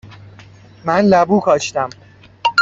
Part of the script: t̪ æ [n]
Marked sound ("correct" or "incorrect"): incorrect